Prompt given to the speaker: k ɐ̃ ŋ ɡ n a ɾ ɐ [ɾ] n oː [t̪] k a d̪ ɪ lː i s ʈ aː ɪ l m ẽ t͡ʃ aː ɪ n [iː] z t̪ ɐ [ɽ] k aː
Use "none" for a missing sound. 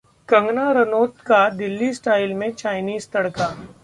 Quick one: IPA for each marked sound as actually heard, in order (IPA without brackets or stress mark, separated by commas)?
none, t̪, iː, ɽ